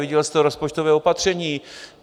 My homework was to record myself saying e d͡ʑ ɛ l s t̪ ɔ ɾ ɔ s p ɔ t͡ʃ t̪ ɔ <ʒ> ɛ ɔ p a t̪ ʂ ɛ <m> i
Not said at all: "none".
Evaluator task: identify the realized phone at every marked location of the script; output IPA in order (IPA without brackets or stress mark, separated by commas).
v, ɲ